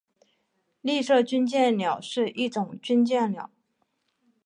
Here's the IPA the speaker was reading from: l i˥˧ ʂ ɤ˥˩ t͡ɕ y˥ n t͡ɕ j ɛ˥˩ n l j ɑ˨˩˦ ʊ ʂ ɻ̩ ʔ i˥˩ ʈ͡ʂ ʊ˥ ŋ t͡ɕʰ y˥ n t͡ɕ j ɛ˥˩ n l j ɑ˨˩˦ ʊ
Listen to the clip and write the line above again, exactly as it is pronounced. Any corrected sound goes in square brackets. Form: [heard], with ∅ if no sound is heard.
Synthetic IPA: l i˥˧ ʂ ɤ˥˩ t͡ɕ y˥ n t͡ɕ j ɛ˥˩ n l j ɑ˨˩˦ ʊ ʂ ɻ̩ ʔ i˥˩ ʈ͡ʂ [ʊ˨˩˦] ŋ [t͡ɕ] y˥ n t͡ɕ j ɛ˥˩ n l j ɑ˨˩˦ ʊ